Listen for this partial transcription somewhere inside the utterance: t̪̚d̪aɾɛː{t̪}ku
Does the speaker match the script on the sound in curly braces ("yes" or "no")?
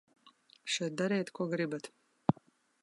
yes